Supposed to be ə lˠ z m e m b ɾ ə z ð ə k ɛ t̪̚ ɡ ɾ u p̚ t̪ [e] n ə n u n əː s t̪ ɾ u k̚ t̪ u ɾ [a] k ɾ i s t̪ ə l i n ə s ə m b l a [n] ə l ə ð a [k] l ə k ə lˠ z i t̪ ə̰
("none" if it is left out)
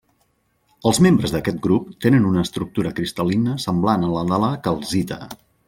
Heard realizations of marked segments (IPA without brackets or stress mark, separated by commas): e, ə, n, none